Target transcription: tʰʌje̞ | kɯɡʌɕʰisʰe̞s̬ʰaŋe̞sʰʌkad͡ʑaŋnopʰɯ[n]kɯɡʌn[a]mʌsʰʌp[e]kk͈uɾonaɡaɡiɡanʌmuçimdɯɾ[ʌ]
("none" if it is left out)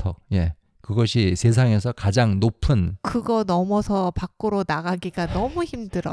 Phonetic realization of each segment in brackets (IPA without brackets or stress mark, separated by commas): n, ʌ, a, ʌ